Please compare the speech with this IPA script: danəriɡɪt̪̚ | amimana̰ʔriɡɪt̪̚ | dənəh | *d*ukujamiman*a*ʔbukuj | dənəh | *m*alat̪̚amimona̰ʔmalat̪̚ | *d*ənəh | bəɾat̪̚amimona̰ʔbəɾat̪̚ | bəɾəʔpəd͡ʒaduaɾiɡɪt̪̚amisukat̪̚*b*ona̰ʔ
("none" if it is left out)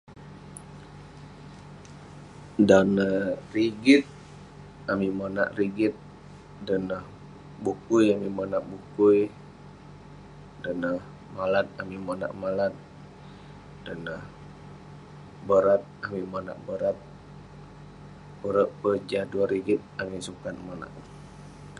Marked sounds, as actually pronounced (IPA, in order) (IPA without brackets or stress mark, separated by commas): b, a, m, d, m